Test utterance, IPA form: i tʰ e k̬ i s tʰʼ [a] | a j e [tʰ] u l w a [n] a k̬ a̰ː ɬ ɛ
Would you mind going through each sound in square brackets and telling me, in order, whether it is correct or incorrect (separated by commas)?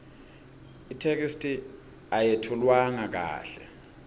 incorrect, correct, incorrect